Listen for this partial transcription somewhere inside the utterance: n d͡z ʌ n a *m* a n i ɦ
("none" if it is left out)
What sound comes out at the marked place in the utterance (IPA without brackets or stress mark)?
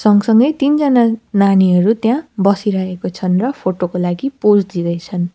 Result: n